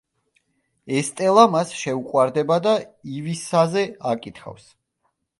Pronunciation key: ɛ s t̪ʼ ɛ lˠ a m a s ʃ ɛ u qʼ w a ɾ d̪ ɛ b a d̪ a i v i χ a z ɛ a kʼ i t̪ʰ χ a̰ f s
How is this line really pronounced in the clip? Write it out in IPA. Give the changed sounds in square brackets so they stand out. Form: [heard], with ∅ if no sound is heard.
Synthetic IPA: ɛ s t̪ʼ ɛ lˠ a m a s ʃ ɛ u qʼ w a ɾ d̪ ɛ b a d̪ a i v i [s] a z ɛ a kʼ i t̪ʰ χ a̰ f s